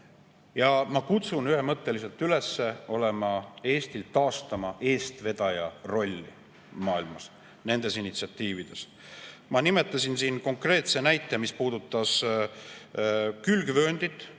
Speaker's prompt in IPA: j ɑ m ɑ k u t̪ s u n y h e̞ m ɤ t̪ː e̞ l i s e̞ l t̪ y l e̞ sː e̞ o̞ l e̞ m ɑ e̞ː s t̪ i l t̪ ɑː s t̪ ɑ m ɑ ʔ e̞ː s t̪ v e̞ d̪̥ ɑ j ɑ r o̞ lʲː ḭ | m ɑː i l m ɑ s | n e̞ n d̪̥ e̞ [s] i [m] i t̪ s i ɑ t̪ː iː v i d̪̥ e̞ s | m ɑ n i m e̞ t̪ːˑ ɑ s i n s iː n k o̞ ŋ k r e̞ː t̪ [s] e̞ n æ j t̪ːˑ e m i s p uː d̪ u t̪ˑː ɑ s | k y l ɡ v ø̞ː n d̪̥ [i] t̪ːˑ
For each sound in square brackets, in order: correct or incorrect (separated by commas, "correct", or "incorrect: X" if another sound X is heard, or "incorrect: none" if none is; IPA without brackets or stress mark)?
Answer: correct, incorrect: n, correct, correct